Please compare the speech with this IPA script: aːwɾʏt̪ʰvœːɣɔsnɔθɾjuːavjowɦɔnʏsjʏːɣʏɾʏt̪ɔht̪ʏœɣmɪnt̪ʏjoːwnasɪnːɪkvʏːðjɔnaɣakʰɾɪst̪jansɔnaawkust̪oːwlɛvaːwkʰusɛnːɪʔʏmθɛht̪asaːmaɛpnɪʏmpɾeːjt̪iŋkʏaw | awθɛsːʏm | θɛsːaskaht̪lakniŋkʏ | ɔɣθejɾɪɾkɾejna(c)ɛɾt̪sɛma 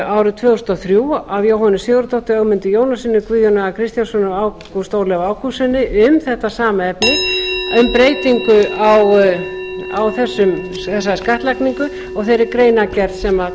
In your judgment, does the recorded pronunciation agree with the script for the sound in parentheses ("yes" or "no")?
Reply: yes